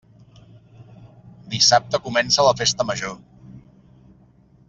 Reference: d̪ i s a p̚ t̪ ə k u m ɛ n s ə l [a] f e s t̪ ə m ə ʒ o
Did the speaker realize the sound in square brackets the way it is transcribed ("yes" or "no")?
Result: no